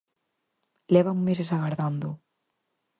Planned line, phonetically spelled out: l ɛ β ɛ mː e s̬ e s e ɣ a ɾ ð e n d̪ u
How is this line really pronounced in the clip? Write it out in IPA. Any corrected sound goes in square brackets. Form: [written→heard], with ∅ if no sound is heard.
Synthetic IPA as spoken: l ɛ β [ɛ→a] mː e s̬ e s [e→a] ɣ a ɾ ð [e→a] n d̪ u